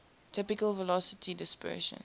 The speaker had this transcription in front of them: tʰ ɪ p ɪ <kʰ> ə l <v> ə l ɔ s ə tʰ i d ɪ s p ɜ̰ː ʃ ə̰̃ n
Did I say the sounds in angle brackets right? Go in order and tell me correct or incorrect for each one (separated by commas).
incorrect, correct